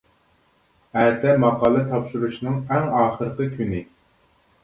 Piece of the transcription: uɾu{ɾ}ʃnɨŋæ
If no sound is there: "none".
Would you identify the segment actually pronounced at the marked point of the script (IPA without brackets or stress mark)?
none